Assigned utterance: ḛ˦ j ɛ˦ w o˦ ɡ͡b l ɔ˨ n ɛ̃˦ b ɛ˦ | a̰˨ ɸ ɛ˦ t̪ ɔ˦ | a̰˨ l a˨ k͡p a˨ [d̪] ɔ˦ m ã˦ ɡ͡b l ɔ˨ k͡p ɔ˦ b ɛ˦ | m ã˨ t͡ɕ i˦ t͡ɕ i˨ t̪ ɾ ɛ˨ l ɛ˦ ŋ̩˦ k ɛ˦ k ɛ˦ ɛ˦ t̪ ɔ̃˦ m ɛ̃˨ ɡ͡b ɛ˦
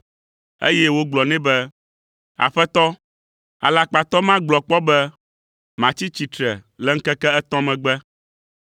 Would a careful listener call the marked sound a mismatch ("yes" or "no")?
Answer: yes